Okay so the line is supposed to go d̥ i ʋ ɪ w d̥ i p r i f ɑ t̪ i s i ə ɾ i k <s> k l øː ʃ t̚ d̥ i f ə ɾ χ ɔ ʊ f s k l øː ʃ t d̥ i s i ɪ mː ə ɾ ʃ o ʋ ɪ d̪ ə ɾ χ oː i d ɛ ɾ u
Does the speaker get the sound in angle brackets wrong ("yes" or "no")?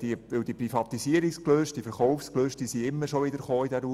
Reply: no